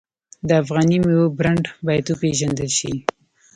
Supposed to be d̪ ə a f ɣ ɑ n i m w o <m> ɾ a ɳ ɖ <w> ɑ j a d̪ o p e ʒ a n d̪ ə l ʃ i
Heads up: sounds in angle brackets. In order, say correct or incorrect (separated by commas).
incorrect, incorrect